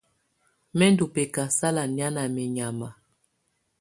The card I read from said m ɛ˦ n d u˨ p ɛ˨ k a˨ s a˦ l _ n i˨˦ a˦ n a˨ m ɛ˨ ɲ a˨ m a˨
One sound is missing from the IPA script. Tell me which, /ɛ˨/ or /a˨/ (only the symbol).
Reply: a˨